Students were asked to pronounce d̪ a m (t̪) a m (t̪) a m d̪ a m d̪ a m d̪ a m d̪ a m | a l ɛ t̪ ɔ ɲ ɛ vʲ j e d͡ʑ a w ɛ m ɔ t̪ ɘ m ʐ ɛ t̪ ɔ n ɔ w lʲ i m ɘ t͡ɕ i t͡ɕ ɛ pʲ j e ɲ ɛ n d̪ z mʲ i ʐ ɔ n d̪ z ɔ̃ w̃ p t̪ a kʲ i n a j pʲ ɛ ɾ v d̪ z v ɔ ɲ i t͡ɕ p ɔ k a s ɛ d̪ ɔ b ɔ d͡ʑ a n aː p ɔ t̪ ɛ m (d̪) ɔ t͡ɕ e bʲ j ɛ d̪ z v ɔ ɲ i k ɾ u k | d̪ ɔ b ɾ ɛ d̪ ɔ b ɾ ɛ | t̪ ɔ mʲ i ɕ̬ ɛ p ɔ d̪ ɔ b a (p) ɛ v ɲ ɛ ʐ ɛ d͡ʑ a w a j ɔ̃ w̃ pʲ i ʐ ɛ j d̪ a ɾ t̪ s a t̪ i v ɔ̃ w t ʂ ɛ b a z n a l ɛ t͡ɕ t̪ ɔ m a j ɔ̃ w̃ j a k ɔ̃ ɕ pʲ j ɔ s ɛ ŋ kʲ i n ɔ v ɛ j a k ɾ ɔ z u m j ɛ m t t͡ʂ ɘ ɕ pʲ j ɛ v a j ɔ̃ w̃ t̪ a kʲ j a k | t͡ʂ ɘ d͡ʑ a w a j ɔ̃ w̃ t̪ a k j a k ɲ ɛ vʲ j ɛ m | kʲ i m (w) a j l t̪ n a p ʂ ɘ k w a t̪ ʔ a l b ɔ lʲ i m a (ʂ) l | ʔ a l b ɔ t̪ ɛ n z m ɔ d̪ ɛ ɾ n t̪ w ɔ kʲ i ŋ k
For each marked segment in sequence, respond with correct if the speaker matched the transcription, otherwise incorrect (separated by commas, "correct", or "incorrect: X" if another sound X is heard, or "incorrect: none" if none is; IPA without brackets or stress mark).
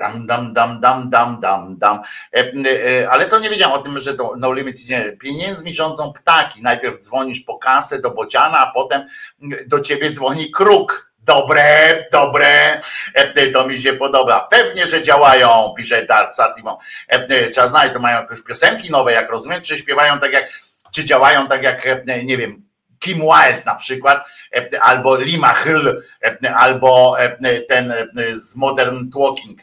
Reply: incorrect: d̪, incorrect: d̪, correct, correct, correct, incorrect: x